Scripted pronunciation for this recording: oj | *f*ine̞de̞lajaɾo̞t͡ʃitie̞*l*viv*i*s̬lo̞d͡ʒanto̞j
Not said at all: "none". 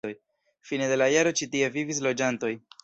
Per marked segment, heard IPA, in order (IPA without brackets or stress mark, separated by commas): f, none, i